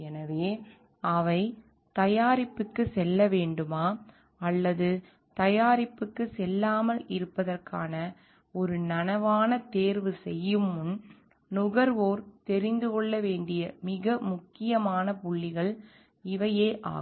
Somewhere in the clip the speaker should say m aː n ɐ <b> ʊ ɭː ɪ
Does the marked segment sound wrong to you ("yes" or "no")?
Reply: yes